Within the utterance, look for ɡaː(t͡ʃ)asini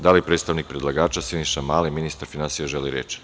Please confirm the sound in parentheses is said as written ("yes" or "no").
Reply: yes